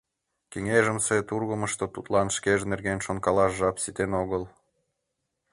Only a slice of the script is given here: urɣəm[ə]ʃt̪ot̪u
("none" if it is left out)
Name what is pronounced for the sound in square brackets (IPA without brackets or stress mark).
ə